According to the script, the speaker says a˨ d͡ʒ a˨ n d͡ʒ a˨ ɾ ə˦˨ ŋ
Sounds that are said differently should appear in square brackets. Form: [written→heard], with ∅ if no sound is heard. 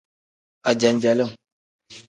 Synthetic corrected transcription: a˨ d͡ʒ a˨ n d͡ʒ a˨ [ɾ→l] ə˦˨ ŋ